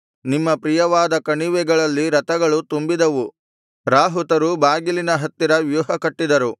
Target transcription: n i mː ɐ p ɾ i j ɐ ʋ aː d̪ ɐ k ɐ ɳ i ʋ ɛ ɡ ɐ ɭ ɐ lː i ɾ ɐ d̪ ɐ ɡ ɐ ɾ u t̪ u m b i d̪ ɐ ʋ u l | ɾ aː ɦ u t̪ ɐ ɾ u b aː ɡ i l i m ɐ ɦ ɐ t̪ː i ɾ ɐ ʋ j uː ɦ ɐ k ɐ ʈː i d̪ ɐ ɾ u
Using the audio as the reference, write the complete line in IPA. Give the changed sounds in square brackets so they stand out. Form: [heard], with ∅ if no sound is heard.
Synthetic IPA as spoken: n i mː ɐ p ɾ i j ɐ ʋ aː d̪ ɐ k ɐ ɳ i ʋ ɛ ɡ ɐ ɭ ɐ lː i ɾ ɐ [t̪] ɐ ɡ ɐ [ɭ] u t̪ u m b i d̪ ɐ ʋ u [∅] | ɾ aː ɦ u t̪ ɐ ɾ u b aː ɡ i l i [n] ɐ ɦ ɐ t̪ː i ɾ ɐ ʋ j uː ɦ ɐ k ɐ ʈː i d̪ ɐ ɾ u